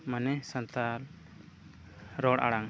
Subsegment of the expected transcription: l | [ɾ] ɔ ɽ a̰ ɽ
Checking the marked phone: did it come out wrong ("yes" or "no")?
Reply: no